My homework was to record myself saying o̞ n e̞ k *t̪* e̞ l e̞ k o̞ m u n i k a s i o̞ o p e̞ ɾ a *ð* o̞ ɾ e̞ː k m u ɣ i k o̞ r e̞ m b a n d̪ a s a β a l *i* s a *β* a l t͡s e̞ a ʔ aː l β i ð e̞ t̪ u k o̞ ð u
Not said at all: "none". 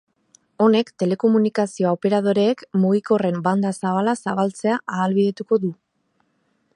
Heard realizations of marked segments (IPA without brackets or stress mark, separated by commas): t̪, ð, a, β